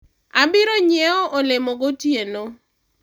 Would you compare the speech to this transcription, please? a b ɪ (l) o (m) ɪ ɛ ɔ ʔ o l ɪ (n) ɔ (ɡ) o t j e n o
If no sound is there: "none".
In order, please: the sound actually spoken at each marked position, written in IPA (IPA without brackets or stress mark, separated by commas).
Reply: ɾ, ɲ, m, ɡ